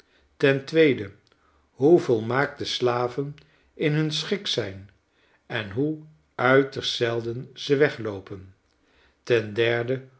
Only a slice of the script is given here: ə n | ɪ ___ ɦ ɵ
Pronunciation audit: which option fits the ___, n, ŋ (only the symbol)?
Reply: n